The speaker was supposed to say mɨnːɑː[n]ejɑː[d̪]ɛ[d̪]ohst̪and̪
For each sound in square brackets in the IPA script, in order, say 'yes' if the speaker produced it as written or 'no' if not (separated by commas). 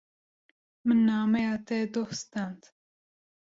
no, no, yes